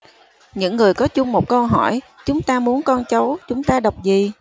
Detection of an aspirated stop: absent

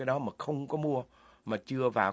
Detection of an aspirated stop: absent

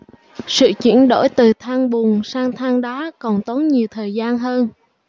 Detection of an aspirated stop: present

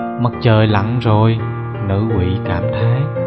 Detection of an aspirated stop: present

